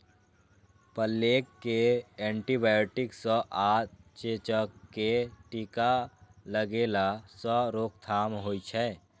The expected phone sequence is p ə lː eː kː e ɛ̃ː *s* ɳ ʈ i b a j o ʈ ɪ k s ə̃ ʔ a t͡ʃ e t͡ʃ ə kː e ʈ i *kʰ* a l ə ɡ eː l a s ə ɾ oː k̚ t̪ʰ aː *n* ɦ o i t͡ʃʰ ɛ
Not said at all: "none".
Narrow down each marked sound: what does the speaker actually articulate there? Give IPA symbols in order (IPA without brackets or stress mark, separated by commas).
none, k, m